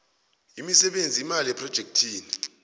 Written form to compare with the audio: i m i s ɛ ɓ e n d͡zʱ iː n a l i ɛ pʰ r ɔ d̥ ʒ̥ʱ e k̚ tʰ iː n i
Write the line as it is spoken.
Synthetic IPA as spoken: i m i s ɛ ɓ e n d͡zʱ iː m a l i ɛ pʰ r ɔ d̥ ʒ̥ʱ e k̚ tʰ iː n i